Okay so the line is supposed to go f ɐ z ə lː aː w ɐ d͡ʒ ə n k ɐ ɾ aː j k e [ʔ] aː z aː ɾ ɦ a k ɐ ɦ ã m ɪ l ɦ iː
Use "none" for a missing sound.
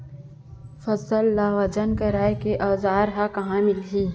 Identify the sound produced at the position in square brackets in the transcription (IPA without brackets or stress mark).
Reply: ʔ